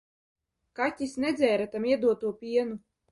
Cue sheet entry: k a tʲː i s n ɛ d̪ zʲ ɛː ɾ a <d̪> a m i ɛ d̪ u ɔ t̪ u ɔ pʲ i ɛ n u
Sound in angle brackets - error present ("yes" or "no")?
yes